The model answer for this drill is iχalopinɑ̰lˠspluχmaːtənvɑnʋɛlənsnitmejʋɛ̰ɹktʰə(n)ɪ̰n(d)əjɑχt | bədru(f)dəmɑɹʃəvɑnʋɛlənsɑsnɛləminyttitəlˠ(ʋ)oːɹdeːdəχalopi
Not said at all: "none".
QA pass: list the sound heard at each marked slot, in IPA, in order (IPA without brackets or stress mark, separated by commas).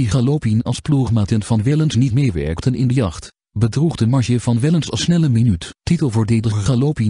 n, d, χ, v